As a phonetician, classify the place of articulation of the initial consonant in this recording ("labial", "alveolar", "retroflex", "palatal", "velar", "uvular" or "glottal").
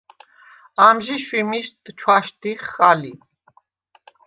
labial